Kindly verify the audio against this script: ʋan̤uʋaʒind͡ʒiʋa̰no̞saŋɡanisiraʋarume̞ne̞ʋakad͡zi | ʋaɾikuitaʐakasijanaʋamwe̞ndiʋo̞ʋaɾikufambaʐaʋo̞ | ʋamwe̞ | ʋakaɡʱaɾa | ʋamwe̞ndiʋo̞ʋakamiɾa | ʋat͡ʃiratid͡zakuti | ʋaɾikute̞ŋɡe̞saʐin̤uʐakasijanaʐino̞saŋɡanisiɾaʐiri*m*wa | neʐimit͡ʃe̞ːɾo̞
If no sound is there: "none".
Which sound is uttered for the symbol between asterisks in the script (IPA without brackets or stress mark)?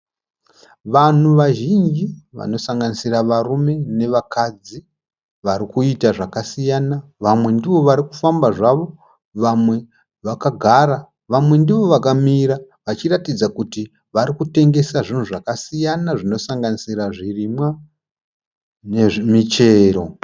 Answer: m